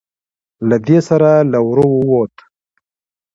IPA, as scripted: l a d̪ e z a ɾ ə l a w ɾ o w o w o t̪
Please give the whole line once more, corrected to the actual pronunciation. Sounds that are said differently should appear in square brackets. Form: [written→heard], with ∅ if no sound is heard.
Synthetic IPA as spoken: l a d̪ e [z→s] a ɾ [ə→a] l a w ɾ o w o w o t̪